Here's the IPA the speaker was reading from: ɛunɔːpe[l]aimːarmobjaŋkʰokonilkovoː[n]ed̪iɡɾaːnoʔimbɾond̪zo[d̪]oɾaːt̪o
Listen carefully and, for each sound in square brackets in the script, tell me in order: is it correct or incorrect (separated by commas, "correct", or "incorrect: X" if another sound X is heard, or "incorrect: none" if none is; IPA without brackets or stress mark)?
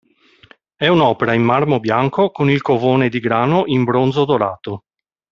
incorrect: ɾ, correct, correct